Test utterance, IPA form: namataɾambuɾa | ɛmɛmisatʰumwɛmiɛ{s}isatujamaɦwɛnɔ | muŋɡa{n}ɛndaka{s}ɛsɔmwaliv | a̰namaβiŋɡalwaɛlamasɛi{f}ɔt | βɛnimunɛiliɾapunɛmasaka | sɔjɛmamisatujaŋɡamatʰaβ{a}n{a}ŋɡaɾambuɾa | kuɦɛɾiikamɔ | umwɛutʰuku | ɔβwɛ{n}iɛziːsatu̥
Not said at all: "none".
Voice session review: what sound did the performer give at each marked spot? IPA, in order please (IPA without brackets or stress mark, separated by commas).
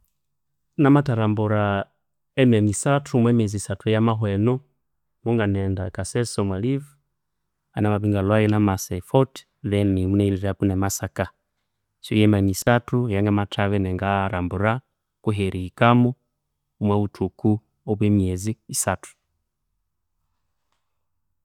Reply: z, n, s, f, ɛ, ɛ, m